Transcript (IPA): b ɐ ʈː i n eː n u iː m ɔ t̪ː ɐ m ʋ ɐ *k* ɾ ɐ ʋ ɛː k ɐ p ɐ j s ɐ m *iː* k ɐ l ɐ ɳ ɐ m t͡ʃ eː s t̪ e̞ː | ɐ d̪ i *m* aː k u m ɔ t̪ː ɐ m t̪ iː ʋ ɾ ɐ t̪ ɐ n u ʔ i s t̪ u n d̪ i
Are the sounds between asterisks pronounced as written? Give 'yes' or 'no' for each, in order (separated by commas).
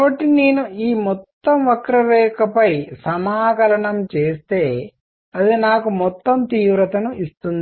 yes, no, no